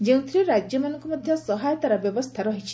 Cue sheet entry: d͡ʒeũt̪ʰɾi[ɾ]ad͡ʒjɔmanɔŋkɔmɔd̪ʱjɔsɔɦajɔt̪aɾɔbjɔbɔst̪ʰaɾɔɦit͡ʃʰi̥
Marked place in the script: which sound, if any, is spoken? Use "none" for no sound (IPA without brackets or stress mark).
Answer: ɾ